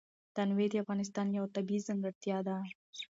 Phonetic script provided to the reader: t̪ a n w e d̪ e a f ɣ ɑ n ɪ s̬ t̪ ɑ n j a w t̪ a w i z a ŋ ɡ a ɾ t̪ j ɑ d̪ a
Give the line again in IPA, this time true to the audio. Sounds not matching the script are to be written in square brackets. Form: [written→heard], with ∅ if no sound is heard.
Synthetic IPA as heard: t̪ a n w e d̪ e a f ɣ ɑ n ɪ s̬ t̪ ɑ n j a w t̪ a [w→b] i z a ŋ ɡ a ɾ t̪ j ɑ d̪ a